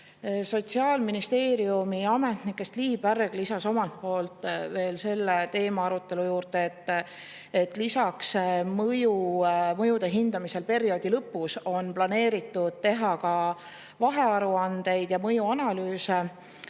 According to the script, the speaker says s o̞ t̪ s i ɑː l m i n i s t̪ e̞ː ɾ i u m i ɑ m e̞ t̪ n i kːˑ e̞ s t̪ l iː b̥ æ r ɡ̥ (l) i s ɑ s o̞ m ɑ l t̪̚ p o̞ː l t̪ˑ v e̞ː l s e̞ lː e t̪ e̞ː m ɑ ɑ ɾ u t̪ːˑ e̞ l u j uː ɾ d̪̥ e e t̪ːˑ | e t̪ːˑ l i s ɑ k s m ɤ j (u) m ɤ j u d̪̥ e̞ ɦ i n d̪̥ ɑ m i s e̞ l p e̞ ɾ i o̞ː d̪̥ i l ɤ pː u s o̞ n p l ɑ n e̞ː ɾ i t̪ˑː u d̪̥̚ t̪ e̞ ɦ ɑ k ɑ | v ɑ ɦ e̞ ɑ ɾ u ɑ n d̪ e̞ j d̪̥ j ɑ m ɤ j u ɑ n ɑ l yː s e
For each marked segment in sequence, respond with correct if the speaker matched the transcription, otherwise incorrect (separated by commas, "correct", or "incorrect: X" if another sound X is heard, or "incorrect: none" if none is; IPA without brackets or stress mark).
correct, correct